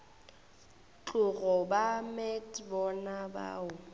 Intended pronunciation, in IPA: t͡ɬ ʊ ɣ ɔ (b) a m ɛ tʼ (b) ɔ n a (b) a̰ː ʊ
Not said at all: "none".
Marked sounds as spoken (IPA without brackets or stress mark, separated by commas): b, b, b